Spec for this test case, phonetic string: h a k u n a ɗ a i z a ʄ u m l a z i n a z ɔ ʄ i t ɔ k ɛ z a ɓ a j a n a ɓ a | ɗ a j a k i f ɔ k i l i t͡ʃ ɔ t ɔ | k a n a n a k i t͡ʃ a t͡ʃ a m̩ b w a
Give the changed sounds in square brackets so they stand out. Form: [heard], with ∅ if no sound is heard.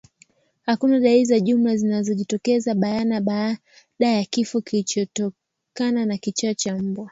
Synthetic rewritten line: h a k u n a ɗ a i z a ʄ u m l a z i n a z ɔ ʄ i t ɔ k ɛ z a ɓ a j a n a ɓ a | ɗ a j a k i f ɔ k i l i t͡ʃ ɔ t ɔ | k a n a n a k i t͡ʃ a t͡ʃ a m̩ b w a